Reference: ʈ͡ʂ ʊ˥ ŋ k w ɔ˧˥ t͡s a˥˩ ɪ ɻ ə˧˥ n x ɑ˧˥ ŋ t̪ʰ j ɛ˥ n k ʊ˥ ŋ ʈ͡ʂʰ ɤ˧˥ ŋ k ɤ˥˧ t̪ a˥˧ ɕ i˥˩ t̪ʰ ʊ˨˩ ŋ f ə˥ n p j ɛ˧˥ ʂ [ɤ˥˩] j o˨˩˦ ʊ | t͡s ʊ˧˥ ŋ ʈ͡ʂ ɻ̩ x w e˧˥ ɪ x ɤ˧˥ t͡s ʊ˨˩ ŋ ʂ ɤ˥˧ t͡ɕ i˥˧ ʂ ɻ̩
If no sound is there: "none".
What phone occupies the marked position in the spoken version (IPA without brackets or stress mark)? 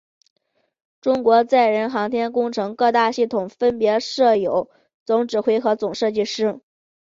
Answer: ɤ˥˩